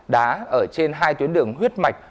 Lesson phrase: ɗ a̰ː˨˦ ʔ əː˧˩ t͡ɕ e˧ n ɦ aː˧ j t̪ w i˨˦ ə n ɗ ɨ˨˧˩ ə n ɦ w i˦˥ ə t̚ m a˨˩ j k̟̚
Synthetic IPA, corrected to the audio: ɗ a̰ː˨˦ ʔ əː˧˩ t͡ɕ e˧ n ɦ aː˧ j t̪ w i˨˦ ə n ɗ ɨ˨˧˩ ə ŋ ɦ w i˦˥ ə t̚ m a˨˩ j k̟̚